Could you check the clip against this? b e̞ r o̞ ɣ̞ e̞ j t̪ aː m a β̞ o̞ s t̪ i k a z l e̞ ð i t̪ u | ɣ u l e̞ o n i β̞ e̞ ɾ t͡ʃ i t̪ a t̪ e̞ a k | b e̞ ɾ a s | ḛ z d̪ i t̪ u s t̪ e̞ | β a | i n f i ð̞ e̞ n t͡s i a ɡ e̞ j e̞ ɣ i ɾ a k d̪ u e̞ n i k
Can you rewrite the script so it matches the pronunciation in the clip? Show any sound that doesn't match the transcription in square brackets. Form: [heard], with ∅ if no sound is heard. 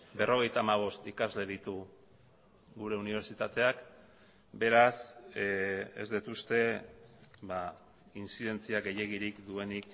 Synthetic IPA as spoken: b e̞ r o̞ ɣ̞ e̞ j t̪ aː m a β̞ o̞ s t̪ i k a z l e̞ ð i t̪ u | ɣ u [ɾ] e̞ [u] n i β̞ e̞ ɾ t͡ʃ i t̪ a t̪ e̞ a k | b e̞ ɾ a s | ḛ z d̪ i t̪ u s t̪ e̞ | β a | i n [s] i ð̞ e̞ n t͡s i a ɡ e̞ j e̞ ɣ i ɾ [i] k d̪ u e̞ n i k

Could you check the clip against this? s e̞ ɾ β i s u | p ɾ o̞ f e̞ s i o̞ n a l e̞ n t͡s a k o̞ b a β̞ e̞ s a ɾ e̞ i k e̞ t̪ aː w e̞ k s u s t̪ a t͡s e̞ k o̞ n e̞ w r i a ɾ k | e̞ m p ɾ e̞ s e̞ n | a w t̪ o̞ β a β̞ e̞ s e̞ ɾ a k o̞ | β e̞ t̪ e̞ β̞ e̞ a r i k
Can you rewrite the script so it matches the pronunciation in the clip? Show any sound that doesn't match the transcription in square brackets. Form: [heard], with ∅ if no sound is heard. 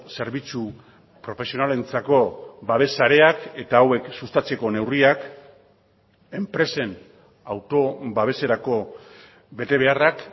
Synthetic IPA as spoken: s e̞ ɾ β i [t͡s] u | p ɾ o̞ f e̞ s i o̞ n a l e̞ n t͡s a k o̞ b a β̞ e̞ s a ɾ e̞ [a] k e̞ t̪ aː w e̞ k s u s t̪ a t͡s e̞ k o̞ n e̞ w r i a [∅] k | e̞ m p ɾ e̞ s e̞ n | a w t̪ o̞ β a β̞ e̞ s e̞ ɾ a k o̞ | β e̞ t̪ e̞ β̞ e̞ a r [a] k

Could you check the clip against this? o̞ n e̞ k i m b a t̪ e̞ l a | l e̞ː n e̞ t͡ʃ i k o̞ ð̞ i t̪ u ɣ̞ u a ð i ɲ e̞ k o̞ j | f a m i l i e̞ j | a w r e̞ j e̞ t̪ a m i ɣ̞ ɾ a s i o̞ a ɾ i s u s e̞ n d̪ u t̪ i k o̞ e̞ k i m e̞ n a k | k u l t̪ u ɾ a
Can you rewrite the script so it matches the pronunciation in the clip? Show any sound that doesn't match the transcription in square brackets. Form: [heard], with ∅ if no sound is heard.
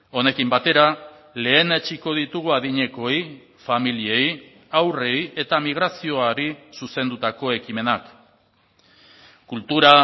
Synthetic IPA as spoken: o̞ n e̞ k i m b a t̪ e̞ [ɾ] a | l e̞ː n e̞ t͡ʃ i k o̞ ð̞ i t̪ u ɣ̞ u a ð i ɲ e̞ k o̞ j | f a m i l i e̞ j | a w r e̞ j e̞ t̪ a m i ɣ̞ ɾ a s i o̞ a ɾ i s u s e̞ n d̪ u t̪ [a] k o̞ e̞ k i m e̞ n a k | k u l t̪ u ɾ a

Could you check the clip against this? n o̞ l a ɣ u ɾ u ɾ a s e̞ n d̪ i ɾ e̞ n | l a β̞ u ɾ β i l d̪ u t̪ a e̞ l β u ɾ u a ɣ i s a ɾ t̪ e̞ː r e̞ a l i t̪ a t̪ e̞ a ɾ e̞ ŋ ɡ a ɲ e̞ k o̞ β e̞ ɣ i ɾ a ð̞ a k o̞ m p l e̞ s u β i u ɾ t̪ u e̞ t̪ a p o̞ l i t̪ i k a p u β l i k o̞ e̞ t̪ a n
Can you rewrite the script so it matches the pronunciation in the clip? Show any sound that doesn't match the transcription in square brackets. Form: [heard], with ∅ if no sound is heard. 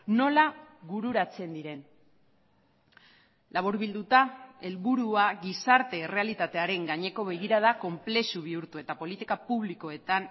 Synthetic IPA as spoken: n o̞ l a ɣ u ɾ u ɾ a [t͡s] e̞ n d̪ i ɾ e̞ n | l a β̞ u ɾ β i l d̪ u t̪ a e̞ l β u ɾ u a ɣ i s a ɾ t̪ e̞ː r e̞ a l i t̪ a t̪ e̞ a ɾ e̞ ŋ ɡ a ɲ e̞ k o̞ β e̞ ɣ i ɾ a ð̞ a k o̞ m p l e̞ s u β i u ɾ t̪ u e̞ t̪ a p o̞ l i t̪ i k a p u β l i k o̞ e̞ t̪ a n

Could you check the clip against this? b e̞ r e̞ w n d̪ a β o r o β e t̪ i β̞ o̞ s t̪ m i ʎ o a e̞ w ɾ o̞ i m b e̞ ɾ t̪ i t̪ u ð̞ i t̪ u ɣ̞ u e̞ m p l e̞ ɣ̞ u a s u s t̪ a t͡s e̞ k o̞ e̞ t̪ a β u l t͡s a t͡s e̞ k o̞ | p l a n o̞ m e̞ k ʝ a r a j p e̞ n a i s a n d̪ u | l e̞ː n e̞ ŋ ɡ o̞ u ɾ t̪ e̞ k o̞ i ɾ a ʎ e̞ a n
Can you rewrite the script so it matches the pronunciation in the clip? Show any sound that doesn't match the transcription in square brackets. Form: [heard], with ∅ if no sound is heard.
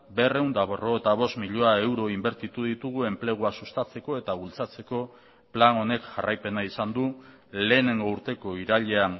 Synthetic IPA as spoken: b e̞ r e̞ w n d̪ a β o r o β e t̪ [a] β̞ o̞ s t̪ m i ʎ o a e̞ w ɾ o̞ i m b e̞ ɾ t̪ i t̪ u ð̞ i t̪ u ɣ̞ u e̞ m p l e̞ ɣ̞ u a s u s t̪ a t͡s e̞ k o̞ e̞ t̪ a β u l t͡s a t͡s e̞ k o̞ | p l a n o̞ [n] e̞ k ʝ a r a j p e̞ n a i s a n d̪ u | l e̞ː n e̞ ŋ ɡ o̞ u ɾ t̪ e̞ k o̞ i ɾ a ʎ e̞ a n

